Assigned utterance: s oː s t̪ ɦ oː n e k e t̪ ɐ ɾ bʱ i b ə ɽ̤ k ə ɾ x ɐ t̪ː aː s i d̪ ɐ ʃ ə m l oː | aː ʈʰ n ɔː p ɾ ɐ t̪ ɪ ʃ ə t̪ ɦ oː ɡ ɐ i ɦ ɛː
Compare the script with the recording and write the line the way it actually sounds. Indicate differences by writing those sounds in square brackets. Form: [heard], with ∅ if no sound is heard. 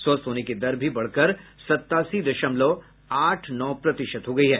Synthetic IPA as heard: s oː s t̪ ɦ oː n e k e [d̪] ɐ ɾ bʱ i b [ɐ] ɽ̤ k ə ɾ [s] ɐ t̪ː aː s i d̪ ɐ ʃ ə m l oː | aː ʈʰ n ɔː p ɾ ɐ t̪ ɪ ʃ ə t̪ ɦ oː ɡ ɐ i ɦ ɛː